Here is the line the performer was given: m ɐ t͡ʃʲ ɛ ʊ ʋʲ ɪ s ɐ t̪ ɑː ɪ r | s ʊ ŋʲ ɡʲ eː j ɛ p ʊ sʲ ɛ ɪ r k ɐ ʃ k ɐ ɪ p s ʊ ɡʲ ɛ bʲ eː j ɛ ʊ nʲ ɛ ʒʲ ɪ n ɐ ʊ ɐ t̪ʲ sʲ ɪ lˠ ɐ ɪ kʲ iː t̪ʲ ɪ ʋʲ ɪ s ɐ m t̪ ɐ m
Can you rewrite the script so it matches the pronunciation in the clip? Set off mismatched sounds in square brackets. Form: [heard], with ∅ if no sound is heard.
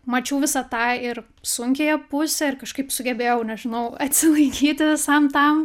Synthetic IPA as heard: m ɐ t͡ʃʲ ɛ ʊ ʋʲ ɪ s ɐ t̪ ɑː ɪ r | s ʊ ŋʲ [kʲ] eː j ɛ p ʊ sʲ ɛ ɪ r k ɐ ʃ k ɐ ɪ p s ʊ ɡʲ ɛ bʲ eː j ɛ ʊ nʲ ɛ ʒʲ ɪ n ɐ ʊ ɐ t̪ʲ sʲ ɪ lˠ ɐ ɪ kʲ iː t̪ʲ ɪ ʋʲ ɪ s ɐ m t̪ ɐ m